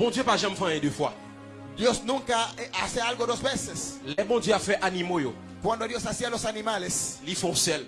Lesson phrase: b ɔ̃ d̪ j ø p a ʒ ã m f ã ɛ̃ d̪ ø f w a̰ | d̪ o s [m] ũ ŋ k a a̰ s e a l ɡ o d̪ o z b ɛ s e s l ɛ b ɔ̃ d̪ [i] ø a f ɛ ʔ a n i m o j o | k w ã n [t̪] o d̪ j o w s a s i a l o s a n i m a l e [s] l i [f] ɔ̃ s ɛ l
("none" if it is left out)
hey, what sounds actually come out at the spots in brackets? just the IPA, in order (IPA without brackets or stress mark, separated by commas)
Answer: n, j, d̪, s, f